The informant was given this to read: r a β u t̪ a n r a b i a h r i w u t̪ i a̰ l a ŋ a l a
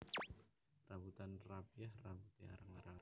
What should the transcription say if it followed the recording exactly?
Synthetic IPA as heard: r a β u t̪ a n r a b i a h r a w u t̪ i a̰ ɾ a ŋ a ɾ a